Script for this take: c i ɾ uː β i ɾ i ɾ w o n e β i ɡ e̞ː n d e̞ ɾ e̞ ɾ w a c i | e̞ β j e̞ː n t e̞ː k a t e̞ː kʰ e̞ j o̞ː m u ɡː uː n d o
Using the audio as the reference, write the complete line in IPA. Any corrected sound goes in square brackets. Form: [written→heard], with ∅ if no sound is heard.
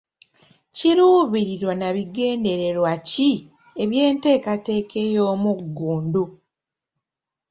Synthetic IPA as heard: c i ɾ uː β i ɾ i ɾ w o n [e→a] β i ɡ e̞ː n d e̞ ɾ e̞ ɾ w a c i | e̞ β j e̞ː n t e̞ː k a t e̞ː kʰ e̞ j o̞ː m u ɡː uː n d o